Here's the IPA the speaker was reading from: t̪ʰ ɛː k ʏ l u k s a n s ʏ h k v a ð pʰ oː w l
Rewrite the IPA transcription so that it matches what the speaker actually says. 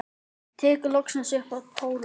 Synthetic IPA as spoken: t̪ʰ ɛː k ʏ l ɔ k s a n s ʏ h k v a ð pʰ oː w l